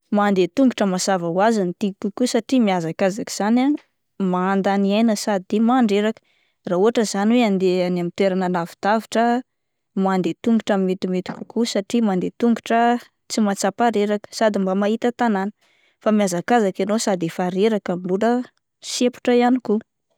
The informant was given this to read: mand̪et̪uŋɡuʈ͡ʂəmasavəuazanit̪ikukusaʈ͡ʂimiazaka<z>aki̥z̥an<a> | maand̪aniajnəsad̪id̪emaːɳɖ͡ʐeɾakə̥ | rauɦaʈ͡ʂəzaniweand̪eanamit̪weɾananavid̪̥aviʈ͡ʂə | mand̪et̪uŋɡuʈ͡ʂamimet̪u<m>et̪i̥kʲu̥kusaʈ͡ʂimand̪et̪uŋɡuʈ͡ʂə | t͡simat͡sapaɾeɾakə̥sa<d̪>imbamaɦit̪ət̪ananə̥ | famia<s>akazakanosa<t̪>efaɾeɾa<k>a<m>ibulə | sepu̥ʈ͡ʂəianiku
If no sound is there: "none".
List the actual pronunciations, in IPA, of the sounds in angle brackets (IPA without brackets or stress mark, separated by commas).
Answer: z, a, m, d̪, z, d̪, k, m